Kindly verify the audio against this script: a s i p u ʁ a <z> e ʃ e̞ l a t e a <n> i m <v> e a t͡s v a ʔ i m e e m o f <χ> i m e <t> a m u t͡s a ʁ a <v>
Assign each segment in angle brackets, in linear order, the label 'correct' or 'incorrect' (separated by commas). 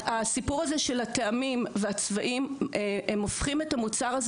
correct, incorrect, correct, correct, correct, incorrect